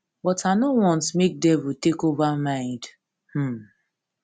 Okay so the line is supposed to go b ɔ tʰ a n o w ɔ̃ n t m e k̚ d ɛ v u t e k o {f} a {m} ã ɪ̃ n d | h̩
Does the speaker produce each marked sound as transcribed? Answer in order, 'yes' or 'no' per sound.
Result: no, yes

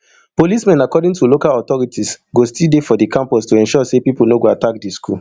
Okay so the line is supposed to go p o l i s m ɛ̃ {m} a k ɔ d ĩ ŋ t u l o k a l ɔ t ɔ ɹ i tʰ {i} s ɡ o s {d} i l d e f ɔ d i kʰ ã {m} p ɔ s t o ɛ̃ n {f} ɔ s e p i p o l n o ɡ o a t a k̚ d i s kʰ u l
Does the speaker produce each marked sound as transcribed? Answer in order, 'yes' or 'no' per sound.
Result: no, yes, no, yes, no

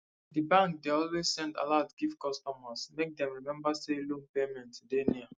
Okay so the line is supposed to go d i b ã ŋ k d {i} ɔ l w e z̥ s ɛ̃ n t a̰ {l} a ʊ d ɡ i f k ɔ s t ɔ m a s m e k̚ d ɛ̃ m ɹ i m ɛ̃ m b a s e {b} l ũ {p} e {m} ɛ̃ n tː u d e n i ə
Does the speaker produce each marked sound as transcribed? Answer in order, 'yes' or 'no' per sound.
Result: no, yes, no, yes, yes

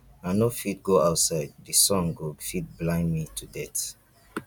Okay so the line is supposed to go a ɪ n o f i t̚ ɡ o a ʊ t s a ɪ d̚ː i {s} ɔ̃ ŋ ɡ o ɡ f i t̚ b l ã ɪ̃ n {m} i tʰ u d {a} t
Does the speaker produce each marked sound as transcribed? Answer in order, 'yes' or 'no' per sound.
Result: yes, yes, no

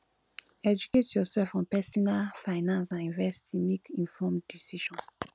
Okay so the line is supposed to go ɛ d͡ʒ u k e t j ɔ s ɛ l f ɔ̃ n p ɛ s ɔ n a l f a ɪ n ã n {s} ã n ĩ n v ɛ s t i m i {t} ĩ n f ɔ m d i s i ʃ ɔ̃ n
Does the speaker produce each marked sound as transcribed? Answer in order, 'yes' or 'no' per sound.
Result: yes, no

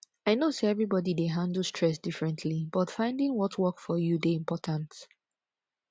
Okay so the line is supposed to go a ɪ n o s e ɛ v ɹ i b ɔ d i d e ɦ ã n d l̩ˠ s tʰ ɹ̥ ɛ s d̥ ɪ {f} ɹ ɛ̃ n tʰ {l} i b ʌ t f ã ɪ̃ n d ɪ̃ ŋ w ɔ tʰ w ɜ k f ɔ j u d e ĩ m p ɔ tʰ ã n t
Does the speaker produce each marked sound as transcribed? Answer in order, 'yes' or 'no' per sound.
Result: yes, yes

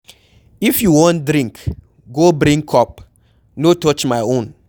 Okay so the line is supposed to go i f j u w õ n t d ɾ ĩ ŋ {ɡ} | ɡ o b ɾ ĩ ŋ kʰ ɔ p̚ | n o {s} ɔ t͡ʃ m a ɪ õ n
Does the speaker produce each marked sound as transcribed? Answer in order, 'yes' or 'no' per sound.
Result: no, no

